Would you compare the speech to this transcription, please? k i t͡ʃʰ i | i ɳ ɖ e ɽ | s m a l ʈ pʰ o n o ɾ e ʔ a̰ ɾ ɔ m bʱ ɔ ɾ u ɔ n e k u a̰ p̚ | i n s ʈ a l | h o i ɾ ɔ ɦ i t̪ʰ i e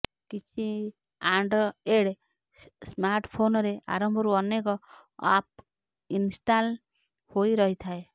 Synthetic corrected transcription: k i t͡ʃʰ i | a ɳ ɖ e ɽ | s m a ɾ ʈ pʰ o n ɔ ɾ e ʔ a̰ ɾ ɔ m bʱ ɔ ɾ u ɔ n e k ɔ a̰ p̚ | i n s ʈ a l | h o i ɾ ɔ ɦ i t̪ʰ a e

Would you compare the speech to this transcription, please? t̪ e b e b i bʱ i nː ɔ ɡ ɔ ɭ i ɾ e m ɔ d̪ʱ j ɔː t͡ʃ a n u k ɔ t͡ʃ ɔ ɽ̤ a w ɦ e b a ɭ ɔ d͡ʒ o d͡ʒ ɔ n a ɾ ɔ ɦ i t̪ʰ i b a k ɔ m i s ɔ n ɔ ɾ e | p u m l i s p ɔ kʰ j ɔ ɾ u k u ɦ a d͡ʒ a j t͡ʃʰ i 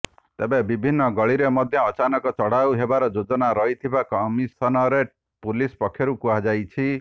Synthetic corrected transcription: t̪ e b e b i bʱ i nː ɔ ɡ ɔ ɭ i ɾ e m ɔ d̪ʱ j ɔː t͡ʃ a n ɔ k ɔ t͡ʃ ɔ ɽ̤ a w ɦ e b a ɾ ɔ d͡ʒ o d͡ʒ ɔ n a ɾ ɔ ɦ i t̪ʰ i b a k ɔ m i s ɔ n ɔ ɾ e | p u l i s p ɔ kʰ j ɔ ɾ u k u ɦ a d͡ʒ a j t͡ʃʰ i

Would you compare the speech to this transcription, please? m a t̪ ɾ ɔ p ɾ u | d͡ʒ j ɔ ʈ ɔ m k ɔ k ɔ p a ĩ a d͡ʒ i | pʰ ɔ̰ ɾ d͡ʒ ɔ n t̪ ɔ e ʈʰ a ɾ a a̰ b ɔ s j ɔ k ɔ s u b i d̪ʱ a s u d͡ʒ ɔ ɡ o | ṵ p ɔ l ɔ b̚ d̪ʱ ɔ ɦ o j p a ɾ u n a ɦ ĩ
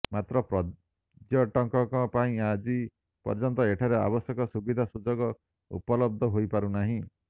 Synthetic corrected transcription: m a t̪ ɾ ɔ p ɾ ɔ | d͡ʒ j ɔ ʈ ɔ ŋ k ɔ k ɔ p a ĩ a d͡ʒ i | p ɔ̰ ɾ d͡ʒ ɔ n t̪ ɔ e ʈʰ a ɾ e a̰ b ɔ s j ɔ k ɔ s u b i d̪ʱ a s u d͡ʒ ɔ ɡ ɔ | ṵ p ɔ l ɔ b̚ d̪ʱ ɔ ɦ o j p a ɾ u n a ɦ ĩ

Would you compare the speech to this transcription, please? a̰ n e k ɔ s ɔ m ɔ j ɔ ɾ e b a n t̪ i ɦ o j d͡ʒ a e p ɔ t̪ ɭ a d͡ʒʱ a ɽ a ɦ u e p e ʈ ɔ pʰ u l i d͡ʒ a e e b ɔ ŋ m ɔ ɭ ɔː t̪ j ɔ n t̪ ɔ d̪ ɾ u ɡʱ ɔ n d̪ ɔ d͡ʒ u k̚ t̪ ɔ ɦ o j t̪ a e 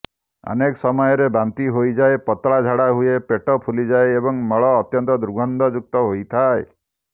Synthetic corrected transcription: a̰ n e k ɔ s ɔ m ɔ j ɔ ɾ e b a n t̪ i ɦ o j d͡ʒ a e p ɔ t̪ ɭ a d͡ʒʱ a ɽ a ɦ u e p e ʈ ɔ pʰ u l i d͡ʒ a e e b ɔ ŋ m ɔ ɭ ɔː t̪ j ɔ n t̪ ɔ d̪ ɾ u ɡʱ ɔ n d̪ ɔ d͡ʒ u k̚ t̪ ɔ ɦ o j t̪ʰ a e

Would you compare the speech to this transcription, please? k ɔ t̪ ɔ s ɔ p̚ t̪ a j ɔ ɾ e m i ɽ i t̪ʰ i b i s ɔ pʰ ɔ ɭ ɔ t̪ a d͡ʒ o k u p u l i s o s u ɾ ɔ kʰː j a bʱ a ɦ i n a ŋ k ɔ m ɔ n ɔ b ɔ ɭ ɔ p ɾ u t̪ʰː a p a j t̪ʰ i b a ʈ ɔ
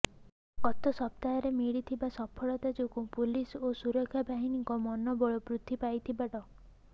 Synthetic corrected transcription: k ɔ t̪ ɔ s ɔ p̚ t̪ a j ɔ ɾ e m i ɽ i t̪ʰ i b a s ɔ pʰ ɔ ɭ ɔ t̪ a d͡ʒ o k u p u l i s o s u ɾ ɔ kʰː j a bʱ a ɦ i n i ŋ k ɔ m ɔ n ɔ b ɔ ɭ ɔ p ɾ u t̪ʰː i p a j t̪ʰ i b a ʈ ɔ

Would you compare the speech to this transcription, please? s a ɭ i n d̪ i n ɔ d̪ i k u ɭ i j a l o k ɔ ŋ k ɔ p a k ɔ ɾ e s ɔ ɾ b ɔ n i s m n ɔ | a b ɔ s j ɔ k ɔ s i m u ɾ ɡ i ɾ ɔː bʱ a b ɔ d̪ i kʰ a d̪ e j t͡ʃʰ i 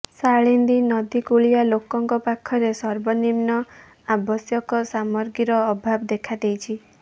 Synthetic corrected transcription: s a ɭ i n d̪ i n ɔ d̪ i k u ɭ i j a l o k ɔ ŋ k ɔ p a kʰ ɔ ɾ e s ɔ ɾ b ɔ n i m n ɔ | a b ɔ s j ɔ k ɔ s a m ɔ ɾ ɡ i ɾ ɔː bʱ a b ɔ d̪ e kʰ a d̪ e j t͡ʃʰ i

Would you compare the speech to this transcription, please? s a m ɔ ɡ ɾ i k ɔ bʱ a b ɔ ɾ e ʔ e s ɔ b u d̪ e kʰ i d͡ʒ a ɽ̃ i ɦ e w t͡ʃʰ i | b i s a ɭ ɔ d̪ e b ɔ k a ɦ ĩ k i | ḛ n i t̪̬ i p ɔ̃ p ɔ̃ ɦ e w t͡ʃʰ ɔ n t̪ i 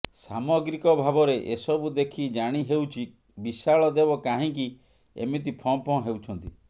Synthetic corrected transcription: s a m ɔ ɡ ɾ i k ɔ bʱ a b ɔ ɾ e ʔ e s ɔ b u d̪ e kʰ i d͡ʒ a ɽ̃ i ɦ e w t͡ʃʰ i | b i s a ɭ ɔ d̪ e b ɔ k a ɦ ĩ k i | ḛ m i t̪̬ i pʰ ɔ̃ p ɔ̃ ɦ e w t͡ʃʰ ɔ n t̪ i

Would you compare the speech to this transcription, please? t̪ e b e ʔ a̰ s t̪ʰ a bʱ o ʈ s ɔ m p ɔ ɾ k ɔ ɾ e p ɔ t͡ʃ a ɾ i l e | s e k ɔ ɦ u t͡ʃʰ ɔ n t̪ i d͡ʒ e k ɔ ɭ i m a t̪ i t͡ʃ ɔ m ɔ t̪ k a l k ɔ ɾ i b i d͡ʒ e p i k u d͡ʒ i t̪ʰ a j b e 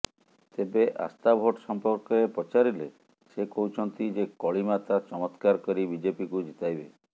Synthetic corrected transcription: t̪ e b e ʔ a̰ s t̪ a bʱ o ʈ s ɔ m p ɔ ɾ k ɔ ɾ e p ɔ t͡ʃ a ɾ i l e | s e k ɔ ɦ u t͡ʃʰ ɔ n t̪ i d͡ʒ e k ɔ ɭ i m a t̪ a t͡ʃ ɔ m ɔ t̪ k a ɾ k ɔ ɾ i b i d͡ʒ e p i k u d͡ʒ i t̪ a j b e

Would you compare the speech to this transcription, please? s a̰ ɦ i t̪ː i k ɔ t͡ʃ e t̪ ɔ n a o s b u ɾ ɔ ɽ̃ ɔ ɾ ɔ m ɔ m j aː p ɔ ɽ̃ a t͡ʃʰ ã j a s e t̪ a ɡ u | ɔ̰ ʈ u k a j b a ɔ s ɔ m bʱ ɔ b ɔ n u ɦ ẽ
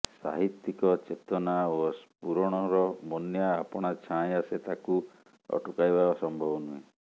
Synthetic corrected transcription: s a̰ ɦ i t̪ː i k ɔ t͡ʃ e t̪ ɔ n a o s p u ɾ ɔ ɽ̃ ɔ ɾ ɔ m ɔ n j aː p ɔ ɽ̃ a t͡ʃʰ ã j a s e t̪ a k u | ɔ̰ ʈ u k a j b a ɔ s ɔ m bʱ ɔ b ɔ n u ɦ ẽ

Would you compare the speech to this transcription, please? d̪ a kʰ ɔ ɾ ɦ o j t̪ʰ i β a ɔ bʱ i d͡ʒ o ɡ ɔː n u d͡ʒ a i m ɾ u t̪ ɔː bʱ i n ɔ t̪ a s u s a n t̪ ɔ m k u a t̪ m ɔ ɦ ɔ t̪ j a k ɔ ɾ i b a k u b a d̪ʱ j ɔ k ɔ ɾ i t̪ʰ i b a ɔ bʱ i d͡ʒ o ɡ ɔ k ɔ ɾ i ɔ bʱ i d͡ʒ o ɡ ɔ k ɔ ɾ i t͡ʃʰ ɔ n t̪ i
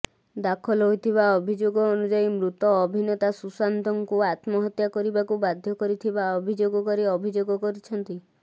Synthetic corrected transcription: d̪ a kʰ ɔ l ɦ o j t̪ʰ i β a ɔ bʱ i d͡ʒ o ɡ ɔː n u d͡ʒ a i m ɾ u t̪ ɔː bʱ i n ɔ t̪ a s u s a n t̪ ɔ ŋ k u a t̪ m ɔ ɦ ɔ t̪ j a k ɔ ɾ i b a k u b a d̪ʱ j ɔ k ɔ ɾ i t̪ʰ i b a ɔ bʱ i d͡ʒ o ɡ ɔ k ɔ ɾ i ɔ bʱ i d͡ʒ o ɡ ɔ k ɔ ɾ i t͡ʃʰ ɔ n t̪ i

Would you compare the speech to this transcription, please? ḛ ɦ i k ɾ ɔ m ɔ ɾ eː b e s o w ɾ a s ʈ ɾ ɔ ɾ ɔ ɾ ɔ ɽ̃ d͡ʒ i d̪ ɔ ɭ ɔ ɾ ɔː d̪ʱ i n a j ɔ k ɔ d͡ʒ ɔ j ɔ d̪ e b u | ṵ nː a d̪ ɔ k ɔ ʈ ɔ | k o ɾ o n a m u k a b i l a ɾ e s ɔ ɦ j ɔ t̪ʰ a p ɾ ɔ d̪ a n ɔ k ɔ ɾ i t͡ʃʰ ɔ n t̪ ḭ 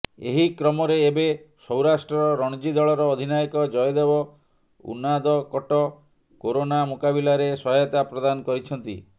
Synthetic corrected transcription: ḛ ɦ i k ɾ ɔ m ɔ ɾ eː b e s ɔ w ɾ a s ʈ ɾ ɔ ɾ ɔ ɾ ɔ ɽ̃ d͡ʒ i d̪ ɔ ɭ ɔ ɾ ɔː d̪ʱ i n a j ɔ k ɔ d͡ʒ ɔ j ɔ d̪ e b ɔ | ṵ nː a d̪ ɔ k ɔ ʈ ɔ | k o ɾ o n a m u k a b i l a ɾ e s ɔ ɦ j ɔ t̪ a p ɾ ɔ d̪ a n ɔ k ɔ ɾ i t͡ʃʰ ɔ n t̪ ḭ

